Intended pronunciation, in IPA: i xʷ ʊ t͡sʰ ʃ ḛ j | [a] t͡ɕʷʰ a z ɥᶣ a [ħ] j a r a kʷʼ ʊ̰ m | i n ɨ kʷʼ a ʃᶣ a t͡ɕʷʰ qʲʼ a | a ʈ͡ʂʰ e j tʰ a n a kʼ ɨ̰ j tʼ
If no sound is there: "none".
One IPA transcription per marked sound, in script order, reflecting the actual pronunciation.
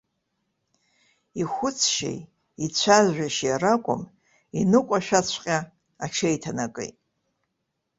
i, ʃ

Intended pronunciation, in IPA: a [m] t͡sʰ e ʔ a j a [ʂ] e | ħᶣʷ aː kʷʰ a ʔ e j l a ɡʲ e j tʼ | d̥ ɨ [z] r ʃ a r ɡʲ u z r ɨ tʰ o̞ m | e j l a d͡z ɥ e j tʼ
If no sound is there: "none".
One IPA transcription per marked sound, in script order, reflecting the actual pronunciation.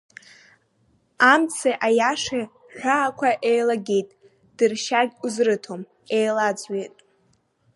m, ʂ, none

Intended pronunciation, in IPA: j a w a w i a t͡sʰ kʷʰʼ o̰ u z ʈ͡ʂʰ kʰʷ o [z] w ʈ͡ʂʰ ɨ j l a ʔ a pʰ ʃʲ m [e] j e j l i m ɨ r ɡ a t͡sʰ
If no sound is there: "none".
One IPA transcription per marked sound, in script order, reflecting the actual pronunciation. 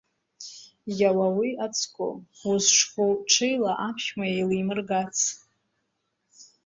none, a

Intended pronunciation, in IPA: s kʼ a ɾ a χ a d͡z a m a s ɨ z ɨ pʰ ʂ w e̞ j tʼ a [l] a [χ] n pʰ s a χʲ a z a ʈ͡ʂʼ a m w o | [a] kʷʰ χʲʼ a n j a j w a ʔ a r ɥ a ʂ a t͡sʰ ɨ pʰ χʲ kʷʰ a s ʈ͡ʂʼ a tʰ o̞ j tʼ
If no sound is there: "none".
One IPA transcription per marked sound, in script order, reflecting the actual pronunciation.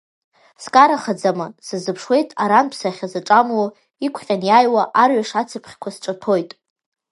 ɾ, none, i

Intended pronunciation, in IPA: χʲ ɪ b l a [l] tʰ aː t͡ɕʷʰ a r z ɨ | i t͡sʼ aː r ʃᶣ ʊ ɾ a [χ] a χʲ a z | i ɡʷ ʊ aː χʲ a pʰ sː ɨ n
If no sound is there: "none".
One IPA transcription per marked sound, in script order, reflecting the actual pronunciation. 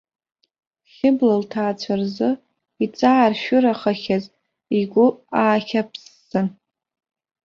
l, χ

